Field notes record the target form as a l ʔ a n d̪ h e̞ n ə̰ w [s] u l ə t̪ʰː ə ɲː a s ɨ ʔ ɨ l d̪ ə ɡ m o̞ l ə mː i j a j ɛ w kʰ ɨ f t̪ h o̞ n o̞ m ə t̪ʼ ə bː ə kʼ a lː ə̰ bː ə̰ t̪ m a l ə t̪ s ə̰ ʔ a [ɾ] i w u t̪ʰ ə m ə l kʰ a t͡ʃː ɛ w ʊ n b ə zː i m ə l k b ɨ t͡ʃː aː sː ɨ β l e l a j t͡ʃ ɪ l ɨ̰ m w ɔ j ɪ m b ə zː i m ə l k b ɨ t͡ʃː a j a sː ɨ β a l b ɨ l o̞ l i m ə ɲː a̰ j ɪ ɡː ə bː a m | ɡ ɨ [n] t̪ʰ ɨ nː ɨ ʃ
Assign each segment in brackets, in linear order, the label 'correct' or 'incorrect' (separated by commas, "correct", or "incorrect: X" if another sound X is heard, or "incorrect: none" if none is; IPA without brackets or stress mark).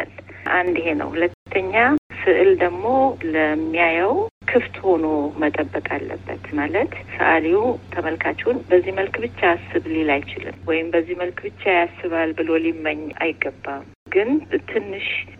incorrect: h, incorrect: l, correct